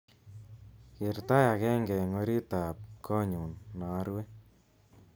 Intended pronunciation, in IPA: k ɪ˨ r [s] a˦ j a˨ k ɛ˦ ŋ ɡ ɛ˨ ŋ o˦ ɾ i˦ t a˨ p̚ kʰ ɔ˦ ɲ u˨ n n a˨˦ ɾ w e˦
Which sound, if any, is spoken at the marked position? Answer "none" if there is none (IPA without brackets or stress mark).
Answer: t